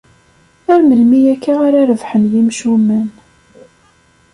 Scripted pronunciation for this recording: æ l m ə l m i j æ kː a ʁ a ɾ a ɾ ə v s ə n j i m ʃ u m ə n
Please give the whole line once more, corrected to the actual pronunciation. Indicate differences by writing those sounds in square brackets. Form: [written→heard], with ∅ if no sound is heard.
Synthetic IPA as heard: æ [l→ɾ] m ə l m i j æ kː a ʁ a ɾ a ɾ ə v [s→ħ] ə n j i m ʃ u m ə n